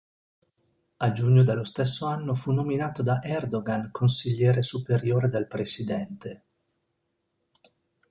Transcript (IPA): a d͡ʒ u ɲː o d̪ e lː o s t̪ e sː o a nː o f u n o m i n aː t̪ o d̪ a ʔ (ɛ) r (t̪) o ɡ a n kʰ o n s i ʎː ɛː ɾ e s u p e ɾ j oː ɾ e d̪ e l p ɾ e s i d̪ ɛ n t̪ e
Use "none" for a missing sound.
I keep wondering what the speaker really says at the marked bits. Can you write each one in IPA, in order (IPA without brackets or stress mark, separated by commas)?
ɛ, d̪